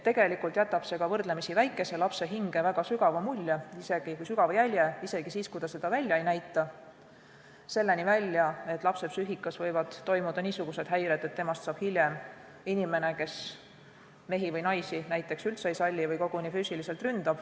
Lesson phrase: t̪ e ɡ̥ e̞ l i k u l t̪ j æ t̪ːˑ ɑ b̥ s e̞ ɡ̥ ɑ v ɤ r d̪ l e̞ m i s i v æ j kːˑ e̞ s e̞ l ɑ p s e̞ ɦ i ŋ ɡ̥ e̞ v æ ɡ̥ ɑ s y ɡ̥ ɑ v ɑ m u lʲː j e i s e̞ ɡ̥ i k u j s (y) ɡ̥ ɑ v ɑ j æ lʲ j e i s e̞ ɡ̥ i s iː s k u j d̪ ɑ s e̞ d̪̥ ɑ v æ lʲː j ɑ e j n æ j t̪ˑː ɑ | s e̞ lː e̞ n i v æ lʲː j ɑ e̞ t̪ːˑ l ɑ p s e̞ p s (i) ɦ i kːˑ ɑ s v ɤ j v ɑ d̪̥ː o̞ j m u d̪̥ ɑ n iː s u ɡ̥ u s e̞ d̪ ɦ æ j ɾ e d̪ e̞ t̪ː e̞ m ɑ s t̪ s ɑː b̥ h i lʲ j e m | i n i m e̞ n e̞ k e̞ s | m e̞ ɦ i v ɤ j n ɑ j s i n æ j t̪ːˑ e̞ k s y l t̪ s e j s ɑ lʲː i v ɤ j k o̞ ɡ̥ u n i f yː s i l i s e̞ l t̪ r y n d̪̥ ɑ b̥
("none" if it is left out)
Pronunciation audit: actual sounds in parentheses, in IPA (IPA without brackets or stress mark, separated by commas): y, y